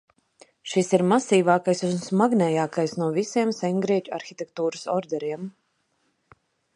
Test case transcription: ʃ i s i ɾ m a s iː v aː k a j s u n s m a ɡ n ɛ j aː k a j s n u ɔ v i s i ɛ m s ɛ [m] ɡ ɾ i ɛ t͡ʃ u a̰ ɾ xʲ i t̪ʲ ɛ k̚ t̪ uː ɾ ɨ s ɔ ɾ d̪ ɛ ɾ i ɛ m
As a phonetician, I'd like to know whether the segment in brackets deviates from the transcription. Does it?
yes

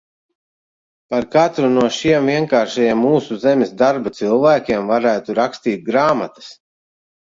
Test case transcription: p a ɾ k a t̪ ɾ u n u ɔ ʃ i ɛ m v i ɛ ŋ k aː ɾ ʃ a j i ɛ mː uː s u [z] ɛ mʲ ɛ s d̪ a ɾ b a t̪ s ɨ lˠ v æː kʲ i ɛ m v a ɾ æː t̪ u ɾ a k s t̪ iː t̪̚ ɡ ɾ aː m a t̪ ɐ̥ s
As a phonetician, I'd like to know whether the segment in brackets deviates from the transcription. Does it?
no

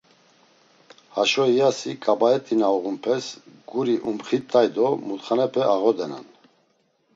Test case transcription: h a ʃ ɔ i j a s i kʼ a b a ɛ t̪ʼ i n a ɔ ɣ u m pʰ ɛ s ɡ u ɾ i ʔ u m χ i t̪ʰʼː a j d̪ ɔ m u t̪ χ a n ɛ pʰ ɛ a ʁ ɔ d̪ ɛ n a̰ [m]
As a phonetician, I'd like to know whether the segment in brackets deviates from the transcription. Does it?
yes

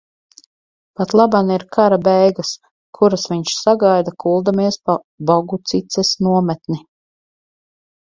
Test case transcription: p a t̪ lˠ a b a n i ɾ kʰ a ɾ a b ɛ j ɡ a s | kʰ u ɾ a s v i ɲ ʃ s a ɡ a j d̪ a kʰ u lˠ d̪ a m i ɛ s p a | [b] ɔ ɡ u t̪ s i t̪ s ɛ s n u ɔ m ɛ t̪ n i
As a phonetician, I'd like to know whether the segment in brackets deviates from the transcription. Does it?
no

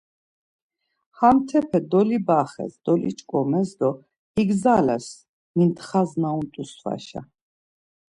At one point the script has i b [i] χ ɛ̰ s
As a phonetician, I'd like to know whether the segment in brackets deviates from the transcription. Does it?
yes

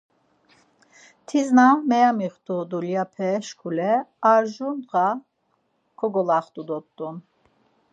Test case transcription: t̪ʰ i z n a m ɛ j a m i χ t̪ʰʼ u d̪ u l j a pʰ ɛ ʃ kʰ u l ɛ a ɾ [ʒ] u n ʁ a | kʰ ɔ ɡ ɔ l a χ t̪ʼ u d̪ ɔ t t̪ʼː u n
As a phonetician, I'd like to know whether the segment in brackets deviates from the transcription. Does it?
no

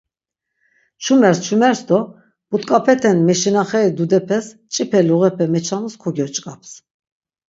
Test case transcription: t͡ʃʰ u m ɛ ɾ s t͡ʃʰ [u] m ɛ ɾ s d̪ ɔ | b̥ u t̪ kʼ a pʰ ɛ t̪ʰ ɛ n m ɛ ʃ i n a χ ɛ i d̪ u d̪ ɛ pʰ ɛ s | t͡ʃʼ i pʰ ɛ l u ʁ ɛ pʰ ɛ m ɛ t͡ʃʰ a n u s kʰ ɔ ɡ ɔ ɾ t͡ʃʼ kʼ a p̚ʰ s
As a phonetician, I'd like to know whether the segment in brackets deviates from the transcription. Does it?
no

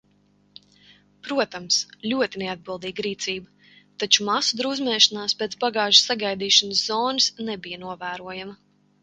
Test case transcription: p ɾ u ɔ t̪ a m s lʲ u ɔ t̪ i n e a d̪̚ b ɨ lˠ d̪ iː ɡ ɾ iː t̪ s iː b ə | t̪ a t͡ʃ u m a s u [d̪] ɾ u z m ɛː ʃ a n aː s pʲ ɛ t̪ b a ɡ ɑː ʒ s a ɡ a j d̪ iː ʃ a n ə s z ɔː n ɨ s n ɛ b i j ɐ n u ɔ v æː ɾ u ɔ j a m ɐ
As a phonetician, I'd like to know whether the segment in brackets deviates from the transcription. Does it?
no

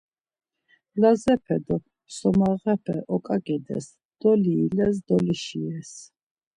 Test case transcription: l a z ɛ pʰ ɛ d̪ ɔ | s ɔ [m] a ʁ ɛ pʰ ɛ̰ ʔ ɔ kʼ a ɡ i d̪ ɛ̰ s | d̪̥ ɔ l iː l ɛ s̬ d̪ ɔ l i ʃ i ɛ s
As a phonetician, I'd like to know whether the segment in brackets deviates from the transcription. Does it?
no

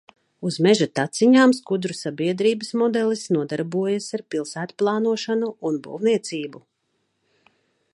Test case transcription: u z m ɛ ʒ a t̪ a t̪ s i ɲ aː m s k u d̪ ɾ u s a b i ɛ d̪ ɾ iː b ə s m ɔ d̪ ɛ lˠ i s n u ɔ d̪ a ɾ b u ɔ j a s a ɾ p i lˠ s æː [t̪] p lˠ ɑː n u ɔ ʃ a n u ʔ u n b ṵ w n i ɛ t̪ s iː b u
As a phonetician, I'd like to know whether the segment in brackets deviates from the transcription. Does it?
no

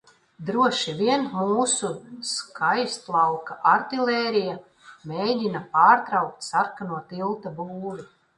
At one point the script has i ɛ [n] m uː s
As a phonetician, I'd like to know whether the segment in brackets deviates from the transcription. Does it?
no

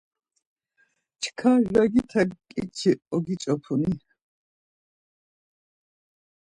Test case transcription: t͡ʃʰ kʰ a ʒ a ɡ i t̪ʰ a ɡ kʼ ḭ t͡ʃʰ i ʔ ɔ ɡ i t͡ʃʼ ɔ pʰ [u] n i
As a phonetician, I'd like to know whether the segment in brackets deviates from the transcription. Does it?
no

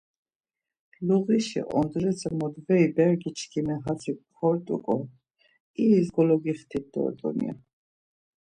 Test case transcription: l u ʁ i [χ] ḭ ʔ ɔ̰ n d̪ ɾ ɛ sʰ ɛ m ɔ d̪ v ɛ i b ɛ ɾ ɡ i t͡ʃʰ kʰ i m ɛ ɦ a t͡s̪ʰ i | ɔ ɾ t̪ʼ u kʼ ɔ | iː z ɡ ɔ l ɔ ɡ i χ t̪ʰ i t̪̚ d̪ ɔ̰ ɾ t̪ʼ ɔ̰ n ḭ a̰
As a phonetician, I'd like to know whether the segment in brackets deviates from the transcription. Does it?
yes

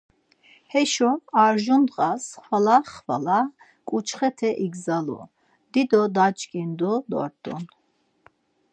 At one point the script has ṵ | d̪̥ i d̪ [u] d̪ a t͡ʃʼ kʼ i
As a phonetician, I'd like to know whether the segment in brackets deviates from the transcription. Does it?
yes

